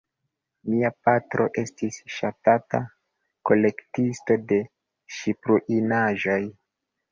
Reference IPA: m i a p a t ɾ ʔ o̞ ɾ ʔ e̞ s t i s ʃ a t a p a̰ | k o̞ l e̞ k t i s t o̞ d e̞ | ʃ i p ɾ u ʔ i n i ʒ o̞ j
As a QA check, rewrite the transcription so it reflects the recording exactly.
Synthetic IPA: m i a p a t ɾ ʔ o̞ ʔ e̞ s t i s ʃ a t a t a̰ | k o̞ l e̞ k t i s t o̞ d e̞ | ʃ i p ɾ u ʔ i n a ʒ o̞ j